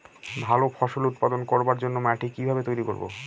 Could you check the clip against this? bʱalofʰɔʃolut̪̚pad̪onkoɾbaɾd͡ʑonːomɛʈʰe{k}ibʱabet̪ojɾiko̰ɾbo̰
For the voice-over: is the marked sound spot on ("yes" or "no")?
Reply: yes